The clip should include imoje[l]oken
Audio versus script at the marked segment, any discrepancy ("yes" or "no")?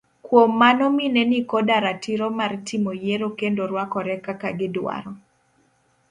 yes